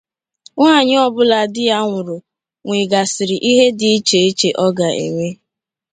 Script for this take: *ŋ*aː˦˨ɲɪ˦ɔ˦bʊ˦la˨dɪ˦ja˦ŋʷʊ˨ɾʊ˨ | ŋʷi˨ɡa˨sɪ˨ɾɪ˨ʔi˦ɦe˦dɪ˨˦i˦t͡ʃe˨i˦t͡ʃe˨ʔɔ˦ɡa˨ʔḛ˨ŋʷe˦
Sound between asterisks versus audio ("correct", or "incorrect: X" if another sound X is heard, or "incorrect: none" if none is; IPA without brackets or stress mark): correct